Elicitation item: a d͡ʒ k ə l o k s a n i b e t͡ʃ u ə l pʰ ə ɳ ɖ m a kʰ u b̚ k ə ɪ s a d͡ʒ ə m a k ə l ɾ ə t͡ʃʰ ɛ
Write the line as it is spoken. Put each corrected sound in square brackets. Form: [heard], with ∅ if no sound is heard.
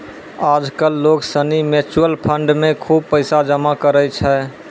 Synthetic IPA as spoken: a d͡ʒ k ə [lː] o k s [ə] n i [m] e t͡ʃ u ə l pʰ ə ɳ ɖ m [e] kʰ u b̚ [p] ə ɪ s a d͡ʒ ə m a k ə [∅] ɾ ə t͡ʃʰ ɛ

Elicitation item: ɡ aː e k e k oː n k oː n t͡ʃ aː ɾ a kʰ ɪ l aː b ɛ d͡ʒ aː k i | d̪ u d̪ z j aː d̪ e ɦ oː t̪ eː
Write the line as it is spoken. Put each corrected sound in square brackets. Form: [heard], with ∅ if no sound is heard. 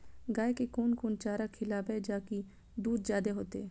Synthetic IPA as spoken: ɡ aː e k e k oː n k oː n t͡ʃ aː ɾ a kʰ ɪ l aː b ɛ d͡ʒ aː k i | d̪ [uː] d̪ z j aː d̪ e ɦ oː t̪ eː

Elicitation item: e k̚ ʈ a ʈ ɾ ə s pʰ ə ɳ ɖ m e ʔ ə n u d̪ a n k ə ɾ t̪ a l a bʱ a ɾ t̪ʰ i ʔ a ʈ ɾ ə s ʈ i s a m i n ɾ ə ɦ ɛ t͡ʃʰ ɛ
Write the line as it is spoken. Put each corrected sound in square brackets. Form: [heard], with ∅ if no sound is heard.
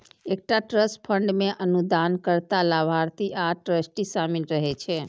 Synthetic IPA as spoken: e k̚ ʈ a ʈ ɾ ə s pʰ ə ɳ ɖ m e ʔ ə n u d̪ a n k ə ɾ t̪ a l a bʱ a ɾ [t̪] i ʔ a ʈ ɾ ə s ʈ i s a m i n ɾ ə ɦ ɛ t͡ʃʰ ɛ

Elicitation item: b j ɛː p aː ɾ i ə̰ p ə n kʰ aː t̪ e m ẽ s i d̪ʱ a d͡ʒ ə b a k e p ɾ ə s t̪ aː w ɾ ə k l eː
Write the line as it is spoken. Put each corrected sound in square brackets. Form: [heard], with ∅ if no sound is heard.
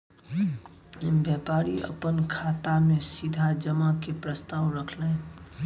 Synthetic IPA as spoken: b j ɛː p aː ɾ i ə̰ p ə n kʰ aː t̪ [a] m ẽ s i d̪ʱ a d͡ʒ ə [m] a k e p ɾ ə s t̪ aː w ɾ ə [kʰ] l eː

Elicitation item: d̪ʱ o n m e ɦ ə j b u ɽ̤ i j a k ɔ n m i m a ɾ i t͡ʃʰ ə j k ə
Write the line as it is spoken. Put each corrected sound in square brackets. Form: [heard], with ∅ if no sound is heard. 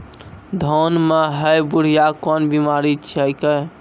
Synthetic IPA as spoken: d̪ʱ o n m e ɦ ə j b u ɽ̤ i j a k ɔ n [b] i m a ɾ i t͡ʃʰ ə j k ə

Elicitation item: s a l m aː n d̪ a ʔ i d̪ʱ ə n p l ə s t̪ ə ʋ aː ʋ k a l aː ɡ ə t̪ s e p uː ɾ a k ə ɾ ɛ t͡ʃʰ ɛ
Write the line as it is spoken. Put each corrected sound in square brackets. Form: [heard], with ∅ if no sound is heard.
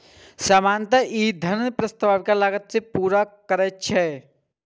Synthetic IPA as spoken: s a [∅] m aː n [t̪] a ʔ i d̪ʱ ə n p [ɾ] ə s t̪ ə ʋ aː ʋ k a l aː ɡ ə t̪ s e p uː ɾ a k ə ɾ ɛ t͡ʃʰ ɛ

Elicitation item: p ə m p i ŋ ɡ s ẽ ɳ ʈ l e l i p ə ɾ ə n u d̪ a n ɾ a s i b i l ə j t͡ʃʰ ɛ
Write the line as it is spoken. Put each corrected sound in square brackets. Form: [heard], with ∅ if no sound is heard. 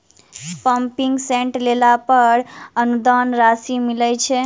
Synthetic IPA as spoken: p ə m p i ŋ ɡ s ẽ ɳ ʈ l e l [a] p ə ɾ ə n u d̪ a n ɾ a s i [m] i l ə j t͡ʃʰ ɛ

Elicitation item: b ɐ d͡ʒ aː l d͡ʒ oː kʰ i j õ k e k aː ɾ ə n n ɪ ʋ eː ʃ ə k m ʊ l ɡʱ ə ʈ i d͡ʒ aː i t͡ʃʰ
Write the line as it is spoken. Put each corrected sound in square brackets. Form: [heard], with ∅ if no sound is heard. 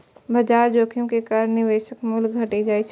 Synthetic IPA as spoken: b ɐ d͡ʒ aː [ɾ] d͡ʒ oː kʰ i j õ k e k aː ɾ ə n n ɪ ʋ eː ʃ ə k m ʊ l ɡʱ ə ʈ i d͡ʒ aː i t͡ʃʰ

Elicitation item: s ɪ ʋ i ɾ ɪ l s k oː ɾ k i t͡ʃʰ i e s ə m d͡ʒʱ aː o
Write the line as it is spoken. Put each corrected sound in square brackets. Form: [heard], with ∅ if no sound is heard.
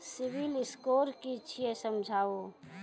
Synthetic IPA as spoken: s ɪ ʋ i [l] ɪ [∅] s k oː ɾ k i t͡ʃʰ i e s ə m d͡ʒʱ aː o

